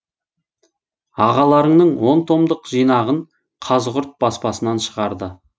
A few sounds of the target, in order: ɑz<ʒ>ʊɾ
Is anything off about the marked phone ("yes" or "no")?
yes